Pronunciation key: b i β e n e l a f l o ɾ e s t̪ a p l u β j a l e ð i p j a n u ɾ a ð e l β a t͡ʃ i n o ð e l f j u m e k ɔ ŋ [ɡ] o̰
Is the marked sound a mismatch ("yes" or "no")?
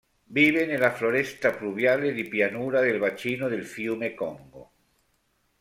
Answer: no